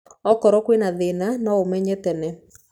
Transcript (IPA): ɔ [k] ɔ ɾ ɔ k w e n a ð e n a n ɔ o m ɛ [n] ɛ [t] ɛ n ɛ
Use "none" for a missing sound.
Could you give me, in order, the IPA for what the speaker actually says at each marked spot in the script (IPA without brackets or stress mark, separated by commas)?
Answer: k, ɲ, t